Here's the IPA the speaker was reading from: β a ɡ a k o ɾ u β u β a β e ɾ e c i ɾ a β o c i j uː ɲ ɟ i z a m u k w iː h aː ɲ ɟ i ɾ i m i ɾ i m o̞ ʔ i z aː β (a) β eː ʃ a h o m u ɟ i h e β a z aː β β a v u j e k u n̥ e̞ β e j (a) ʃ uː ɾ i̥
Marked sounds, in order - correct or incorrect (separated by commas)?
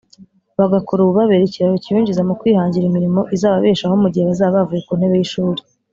correct, incorrect